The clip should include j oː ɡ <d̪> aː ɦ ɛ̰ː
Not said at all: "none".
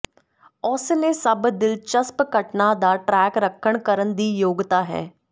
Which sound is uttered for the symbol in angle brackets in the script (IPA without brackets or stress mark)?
t̪